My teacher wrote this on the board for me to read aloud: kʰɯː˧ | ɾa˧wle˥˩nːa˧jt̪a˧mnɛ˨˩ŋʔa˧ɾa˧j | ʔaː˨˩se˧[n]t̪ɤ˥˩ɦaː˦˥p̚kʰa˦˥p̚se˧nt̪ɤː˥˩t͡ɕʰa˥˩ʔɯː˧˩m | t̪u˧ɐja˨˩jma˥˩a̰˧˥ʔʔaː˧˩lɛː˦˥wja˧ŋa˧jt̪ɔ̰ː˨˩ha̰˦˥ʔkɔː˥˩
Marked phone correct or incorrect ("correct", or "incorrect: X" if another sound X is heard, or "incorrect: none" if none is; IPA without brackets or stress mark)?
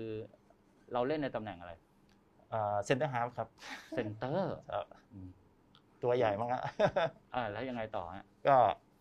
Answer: correct